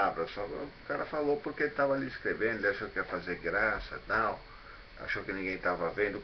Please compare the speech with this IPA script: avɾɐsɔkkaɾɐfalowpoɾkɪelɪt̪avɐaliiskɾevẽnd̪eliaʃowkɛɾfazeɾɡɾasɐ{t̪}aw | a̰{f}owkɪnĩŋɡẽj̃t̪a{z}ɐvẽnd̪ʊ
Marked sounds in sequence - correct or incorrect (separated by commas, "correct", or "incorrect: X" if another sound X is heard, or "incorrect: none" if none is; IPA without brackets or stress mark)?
correct, incorrect: ʃ, incorrect: v